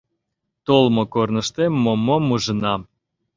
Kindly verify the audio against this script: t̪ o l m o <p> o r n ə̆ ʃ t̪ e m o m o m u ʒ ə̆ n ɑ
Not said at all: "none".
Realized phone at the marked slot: k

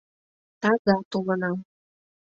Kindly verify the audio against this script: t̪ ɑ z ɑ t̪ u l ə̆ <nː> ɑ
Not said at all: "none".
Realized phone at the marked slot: n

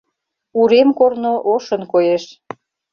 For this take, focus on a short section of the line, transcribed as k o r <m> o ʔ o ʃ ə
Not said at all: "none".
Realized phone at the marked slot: n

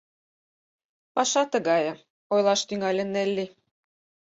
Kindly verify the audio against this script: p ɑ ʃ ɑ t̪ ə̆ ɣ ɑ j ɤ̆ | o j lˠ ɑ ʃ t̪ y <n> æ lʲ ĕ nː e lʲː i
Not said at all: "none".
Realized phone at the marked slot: ŋ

